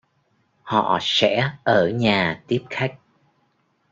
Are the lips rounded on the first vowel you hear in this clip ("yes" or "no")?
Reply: yes